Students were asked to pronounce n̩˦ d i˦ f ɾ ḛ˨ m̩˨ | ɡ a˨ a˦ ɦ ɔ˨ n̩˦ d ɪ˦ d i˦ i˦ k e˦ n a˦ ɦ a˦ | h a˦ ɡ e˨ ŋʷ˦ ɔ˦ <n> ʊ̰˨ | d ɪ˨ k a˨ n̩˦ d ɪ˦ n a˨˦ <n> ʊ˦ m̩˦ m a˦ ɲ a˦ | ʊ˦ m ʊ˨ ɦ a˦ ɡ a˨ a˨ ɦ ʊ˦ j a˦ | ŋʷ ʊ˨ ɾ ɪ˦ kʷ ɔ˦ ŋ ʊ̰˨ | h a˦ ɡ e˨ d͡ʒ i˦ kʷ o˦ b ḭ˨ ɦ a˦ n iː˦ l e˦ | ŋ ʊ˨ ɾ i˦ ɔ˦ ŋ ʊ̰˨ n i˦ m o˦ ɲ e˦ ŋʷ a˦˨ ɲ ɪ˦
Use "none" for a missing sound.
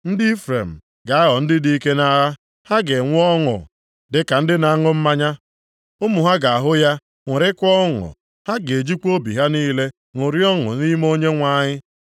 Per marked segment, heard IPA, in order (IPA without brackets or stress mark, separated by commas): ŋ, ŋ